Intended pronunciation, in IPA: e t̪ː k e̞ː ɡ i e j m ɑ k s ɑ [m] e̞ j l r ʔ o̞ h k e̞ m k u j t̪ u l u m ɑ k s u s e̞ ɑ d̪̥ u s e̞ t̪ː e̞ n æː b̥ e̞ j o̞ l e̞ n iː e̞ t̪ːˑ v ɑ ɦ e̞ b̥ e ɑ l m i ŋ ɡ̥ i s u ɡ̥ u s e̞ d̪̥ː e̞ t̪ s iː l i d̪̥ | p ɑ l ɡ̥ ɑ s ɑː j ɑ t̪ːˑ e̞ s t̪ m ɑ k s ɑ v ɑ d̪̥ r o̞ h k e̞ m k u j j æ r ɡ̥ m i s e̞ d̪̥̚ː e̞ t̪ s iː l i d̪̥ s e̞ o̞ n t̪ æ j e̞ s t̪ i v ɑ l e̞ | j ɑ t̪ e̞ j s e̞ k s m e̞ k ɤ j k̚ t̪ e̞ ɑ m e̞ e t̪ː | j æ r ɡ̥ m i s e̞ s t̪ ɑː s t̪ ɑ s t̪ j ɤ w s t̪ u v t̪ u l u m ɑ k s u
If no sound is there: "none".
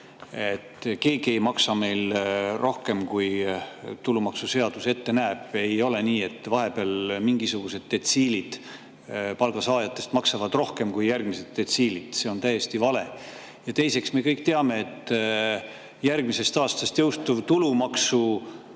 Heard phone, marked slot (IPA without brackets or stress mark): m